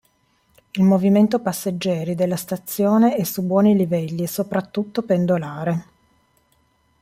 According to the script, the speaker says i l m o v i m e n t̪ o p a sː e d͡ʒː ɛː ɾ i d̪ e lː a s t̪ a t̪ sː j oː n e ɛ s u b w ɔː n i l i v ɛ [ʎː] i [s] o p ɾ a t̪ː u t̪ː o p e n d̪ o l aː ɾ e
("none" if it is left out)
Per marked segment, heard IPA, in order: lː, s

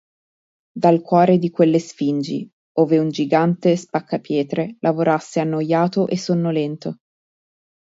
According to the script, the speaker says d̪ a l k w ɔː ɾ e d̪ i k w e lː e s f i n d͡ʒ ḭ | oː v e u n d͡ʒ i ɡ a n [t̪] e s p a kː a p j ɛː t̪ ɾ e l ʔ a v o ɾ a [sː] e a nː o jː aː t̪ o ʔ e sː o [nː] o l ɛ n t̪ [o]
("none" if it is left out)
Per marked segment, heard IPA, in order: t̪, sː, nː, o

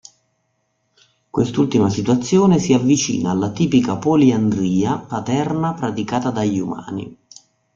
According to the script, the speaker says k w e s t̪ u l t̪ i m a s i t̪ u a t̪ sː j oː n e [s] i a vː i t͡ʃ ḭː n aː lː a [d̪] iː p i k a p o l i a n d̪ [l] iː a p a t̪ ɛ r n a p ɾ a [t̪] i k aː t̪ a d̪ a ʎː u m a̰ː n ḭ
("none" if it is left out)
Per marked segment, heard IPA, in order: s, t̪, ɾ, t̪

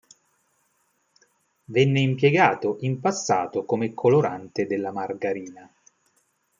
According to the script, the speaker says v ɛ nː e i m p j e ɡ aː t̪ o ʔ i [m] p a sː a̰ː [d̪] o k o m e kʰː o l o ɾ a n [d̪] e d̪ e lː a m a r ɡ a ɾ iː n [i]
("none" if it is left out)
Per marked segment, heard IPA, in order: m, t̪, t̪, a

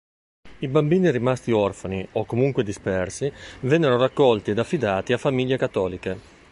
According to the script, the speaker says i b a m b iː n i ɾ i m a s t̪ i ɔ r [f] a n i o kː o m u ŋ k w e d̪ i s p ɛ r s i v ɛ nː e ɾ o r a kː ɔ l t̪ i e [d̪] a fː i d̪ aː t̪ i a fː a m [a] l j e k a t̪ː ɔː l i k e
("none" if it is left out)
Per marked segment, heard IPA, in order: f, d̪, i

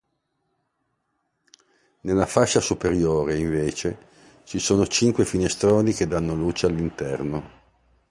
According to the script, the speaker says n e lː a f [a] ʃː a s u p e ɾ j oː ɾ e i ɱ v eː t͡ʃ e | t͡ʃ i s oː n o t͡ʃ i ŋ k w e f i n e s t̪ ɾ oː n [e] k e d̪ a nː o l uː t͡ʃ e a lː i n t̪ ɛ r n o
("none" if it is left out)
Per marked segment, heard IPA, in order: a, i

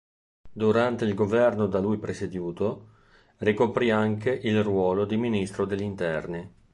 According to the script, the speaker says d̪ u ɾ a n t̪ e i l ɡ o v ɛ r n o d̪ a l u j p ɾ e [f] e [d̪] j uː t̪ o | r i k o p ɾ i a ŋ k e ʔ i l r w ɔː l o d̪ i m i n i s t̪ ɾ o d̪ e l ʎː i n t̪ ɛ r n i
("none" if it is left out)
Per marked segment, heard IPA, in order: s, d̪

